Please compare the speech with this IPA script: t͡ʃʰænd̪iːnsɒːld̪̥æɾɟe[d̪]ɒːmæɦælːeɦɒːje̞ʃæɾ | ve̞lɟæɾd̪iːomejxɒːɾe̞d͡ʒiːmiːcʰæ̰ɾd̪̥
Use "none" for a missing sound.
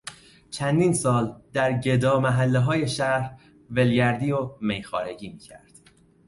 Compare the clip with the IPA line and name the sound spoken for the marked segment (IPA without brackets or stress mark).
d̪